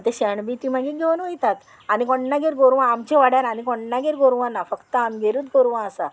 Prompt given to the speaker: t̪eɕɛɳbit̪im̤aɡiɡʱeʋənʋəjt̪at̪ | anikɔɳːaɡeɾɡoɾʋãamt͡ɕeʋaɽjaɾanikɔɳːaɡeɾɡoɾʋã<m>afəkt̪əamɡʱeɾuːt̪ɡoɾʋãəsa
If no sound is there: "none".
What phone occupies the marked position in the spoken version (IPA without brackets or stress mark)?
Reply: n